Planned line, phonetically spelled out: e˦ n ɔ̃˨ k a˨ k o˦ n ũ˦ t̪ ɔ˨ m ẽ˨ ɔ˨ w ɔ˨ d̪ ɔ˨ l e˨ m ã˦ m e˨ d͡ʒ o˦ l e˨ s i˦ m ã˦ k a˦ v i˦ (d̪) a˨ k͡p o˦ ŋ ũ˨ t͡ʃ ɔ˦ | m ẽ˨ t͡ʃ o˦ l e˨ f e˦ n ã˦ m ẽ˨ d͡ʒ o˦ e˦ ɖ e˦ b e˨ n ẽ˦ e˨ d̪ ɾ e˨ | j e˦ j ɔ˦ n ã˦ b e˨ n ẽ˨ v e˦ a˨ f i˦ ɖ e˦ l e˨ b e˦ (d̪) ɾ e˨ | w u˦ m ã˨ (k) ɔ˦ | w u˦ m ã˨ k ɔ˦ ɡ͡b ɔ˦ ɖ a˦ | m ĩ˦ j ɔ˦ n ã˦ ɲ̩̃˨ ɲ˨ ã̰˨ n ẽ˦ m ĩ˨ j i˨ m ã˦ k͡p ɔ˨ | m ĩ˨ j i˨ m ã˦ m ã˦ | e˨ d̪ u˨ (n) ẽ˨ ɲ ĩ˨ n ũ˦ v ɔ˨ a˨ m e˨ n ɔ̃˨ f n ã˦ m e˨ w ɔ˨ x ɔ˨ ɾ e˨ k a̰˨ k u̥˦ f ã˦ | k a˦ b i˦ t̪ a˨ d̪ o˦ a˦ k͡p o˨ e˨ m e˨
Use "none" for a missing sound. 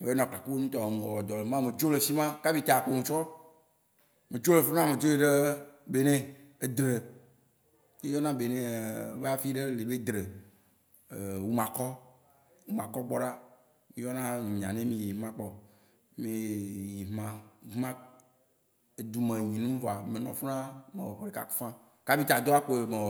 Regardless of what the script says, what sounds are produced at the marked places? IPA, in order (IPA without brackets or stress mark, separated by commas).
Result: t̪, d̪, k, m